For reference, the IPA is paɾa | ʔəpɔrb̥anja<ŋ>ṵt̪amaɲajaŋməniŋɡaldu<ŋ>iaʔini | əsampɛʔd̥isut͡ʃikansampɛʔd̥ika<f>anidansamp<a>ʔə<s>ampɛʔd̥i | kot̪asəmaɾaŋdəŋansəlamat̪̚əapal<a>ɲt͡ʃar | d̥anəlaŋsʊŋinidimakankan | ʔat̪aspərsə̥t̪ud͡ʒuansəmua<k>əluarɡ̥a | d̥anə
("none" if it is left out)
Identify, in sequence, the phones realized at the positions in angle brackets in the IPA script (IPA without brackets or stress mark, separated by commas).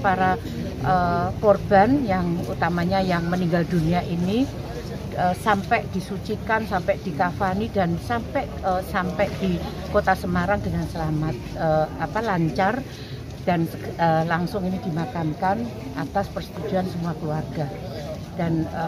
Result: ŋ, n, f, ɛ, s, a, k